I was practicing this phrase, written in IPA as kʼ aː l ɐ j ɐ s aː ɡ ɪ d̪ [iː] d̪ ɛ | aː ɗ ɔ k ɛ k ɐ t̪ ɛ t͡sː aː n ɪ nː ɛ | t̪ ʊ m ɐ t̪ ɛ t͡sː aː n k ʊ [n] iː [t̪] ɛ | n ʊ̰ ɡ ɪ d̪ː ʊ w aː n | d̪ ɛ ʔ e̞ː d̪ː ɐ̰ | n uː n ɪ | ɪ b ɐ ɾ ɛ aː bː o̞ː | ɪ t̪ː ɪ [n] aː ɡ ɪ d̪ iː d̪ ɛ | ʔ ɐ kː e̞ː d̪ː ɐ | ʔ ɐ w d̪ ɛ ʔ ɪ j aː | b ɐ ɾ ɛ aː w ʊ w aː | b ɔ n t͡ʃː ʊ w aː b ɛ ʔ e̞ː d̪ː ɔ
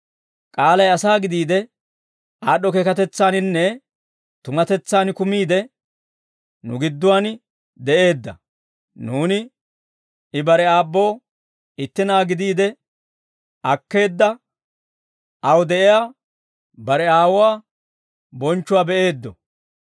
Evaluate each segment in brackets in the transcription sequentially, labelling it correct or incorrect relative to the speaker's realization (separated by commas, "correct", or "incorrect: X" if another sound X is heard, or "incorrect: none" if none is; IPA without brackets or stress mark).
correct, incorrect: m, incorrect: d̪, correct